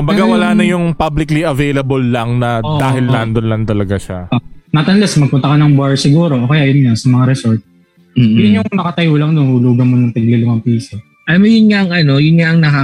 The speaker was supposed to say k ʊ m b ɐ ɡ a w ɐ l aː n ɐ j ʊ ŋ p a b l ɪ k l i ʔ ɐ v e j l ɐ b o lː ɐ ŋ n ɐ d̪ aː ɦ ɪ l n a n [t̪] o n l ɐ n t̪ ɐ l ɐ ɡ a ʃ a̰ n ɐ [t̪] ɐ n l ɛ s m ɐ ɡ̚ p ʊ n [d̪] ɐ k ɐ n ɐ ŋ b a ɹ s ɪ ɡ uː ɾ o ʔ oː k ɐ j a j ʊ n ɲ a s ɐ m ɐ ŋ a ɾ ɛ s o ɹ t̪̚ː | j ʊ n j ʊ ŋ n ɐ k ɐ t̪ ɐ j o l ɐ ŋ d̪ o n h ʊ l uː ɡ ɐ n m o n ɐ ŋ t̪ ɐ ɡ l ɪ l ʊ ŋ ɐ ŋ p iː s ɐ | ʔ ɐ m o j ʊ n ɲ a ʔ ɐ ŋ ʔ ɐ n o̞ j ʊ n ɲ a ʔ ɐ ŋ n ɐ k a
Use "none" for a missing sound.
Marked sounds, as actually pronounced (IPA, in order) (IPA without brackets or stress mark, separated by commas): d̪, t̪, t̪